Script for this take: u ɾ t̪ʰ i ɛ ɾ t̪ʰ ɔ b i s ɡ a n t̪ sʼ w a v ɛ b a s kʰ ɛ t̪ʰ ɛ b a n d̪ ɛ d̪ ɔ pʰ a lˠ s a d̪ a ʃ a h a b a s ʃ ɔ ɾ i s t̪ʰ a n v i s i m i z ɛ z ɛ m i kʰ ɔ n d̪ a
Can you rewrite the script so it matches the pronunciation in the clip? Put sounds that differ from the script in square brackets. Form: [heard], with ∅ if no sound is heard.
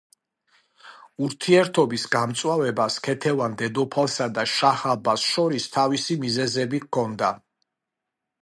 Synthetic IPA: u ɾ t̪ʰ i ɛ ɾ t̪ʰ ɔ b i s ɡ a [m] t̪ sʼ w a v ɛ b a s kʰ ɛ t̪ʰ ɛ [v] a n d̪ ɛ d̪ ɔ pʰ a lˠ s a d̪ a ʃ a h a b a s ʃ ɔ ɾ i s t̪ʰ a [∅] v i s i m i z ɛ z ɛ [b] i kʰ ɔ n d̪ a